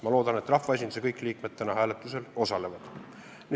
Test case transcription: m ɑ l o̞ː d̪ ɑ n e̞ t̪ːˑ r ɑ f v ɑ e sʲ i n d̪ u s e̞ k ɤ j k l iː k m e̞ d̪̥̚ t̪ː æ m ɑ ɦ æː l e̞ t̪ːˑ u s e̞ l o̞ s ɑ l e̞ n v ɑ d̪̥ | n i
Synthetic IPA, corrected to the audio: m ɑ l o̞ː d̪ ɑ n e̞ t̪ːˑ r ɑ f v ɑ e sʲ i n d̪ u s e̞ k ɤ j k l iː k m e̞ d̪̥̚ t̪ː æ n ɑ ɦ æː l e̞ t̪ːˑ u s e̞ l o̞ s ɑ l e̞ v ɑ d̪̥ | n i